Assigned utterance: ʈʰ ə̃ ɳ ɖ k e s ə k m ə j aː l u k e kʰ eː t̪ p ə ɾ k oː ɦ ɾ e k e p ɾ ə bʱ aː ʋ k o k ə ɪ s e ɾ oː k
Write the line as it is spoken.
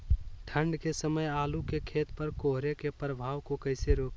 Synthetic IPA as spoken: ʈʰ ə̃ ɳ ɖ k e s ə m ə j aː l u k e kʰ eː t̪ p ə ɾ k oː ɦ ɾ e k e p ɾ ə bʱ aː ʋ k o k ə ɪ s e ɾ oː k